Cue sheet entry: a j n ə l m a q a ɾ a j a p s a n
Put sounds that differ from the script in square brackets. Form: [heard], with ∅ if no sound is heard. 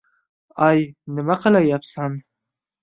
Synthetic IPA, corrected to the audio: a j n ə [∅] m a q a [l] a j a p s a n

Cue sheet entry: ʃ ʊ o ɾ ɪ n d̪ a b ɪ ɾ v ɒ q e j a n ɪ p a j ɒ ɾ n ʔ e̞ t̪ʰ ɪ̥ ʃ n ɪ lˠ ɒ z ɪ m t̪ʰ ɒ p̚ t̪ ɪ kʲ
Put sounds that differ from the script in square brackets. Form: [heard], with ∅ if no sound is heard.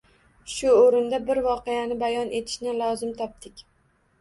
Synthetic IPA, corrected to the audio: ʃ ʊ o ɾ ɪ n d̪ a b ɪ ɾ v ɒ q e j a n ɪ [b] a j ɒ [∅] n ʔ e̞ t̪ʰ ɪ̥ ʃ n ɪ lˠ ɒ z ɪ m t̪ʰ ɒ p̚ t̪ ɪ kʲ

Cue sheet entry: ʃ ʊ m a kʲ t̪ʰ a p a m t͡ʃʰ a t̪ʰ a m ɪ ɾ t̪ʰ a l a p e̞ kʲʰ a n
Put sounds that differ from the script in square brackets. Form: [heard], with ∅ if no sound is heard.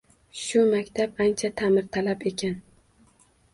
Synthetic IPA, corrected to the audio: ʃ ʊ m a kʲ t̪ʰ a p a [n] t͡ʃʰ a t̪ʰ a m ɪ ɾ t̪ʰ a l a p e̞ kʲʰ a n

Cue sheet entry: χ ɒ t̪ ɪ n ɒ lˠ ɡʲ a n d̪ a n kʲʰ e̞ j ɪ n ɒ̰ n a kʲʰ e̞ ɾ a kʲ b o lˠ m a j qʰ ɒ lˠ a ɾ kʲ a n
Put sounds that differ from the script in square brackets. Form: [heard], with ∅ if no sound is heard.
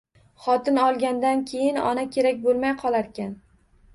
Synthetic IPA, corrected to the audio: χ ɒ t̪ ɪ n ɒ lˠ ɡʲ a n d̪ a n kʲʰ e̞ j ɪ n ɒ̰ n a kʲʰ e̞ ɾ a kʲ b o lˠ m a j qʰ ɒ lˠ a ɾ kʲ a n

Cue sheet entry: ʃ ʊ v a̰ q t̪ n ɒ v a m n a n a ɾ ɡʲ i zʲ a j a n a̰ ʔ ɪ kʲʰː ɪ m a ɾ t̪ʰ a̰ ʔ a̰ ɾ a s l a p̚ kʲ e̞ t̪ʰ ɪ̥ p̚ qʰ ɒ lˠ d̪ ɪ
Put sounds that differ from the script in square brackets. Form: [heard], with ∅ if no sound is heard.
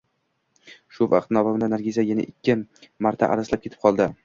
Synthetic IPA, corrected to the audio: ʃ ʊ v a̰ q t̪ n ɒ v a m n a n a ɾ ɡʲ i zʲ a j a n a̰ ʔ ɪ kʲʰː ɪ m a ɾ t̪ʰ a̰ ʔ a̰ ɾ a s l a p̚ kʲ e̞ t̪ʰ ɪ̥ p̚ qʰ ɒ lˠ d̪ ɪ

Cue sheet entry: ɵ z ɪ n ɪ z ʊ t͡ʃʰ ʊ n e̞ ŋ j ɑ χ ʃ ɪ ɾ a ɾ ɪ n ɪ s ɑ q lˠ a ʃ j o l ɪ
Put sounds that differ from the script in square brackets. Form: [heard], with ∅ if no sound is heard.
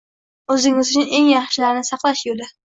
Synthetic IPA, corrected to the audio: ɵ z ɪ [ŋ] ɪ z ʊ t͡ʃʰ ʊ n e̞ ŋ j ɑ χ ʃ ɪ [l] a ɾ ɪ n ɪ s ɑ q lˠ a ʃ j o l ɪ

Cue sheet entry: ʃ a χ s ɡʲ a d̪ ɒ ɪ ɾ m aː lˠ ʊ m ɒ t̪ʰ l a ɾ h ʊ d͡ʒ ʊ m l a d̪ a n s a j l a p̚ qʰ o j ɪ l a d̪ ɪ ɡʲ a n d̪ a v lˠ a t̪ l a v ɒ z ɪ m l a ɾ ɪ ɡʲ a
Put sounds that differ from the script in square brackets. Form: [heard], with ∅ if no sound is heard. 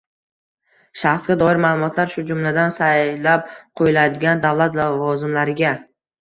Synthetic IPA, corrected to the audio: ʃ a χ s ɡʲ a d̪ ɒ ɪ ɾ m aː lˠ ʊ m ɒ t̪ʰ l a ɾ [ʃ] ʊ d͡ʒ ʊ m l a d̪ a n s a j l a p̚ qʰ o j ɪ l a d̪ ɪ ɡʲ a n d̪ a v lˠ a t̪ l a v ɒ z ɪ m l a ɾ ɪ ɡʲ a

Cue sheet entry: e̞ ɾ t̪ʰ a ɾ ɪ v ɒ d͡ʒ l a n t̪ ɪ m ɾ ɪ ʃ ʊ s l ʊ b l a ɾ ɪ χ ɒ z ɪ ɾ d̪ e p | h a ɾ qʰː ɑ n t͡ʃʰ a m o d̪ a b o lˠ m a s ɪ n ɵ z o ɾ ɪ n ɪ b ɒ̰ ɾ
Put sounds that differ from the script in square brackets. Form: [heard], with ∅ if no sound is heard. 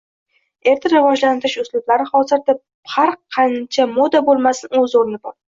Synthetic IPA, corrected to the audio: e̞ ɾ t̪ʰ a ɾ ɪ v ɒ d͡ʒ l a n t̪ ɪ [∅] ɾ ɪ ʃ ʊ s l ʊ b l a ɾ ɪ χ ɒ z ɪ ɾ d̪ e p | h a ɾ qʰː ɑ n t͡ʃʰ a m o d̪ a b o lˠ m a s ɪ n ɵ z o ɾ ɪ n ɪ b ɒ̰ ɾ

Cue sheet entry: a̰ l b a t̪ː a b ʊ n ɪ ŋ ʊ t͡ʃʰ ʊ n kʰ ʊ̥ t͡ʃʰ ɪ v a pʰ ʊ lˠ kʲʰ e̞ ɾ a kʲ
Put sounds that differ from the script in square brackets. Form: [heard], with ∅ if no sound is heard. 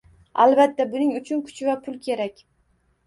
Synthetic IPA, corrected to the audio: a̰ l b a t̪ː a b ʊ n ɪ ŋ ʊ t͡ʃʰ ʊ n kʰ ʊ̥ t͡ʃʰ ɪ v a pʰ ʊ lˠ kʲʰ e̞ ɾ a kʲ

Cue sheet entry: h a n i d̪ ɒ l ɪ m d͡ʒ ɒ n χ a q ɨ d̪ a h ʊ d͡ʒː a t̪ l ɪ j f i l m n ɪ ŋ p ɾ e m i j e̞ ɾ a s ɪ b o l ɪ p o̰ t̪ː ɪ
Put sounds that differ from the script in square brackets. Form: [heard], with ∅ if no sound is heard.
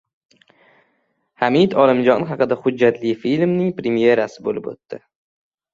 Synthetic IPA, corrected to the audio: h a [m] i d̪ ɒ l ɪ m d͡ʒ ɒ n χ [ɑ] q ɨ d̪ a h ʊ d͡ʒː a t̪ l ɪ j f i l m n ɪ ŋ p ɾ e m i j e̞ ɾ a s ɪ b o l ɪ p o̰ t̪ː ɪ

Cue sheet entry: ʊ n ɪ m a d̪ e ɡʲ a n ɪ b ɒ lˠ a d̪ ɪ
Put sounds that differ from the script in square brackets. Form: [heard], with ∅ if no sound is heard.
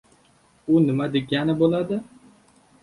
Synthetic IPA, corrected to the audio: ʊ n ɪ m a d̪ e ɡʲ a n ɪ b [o] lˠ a d̪ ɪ

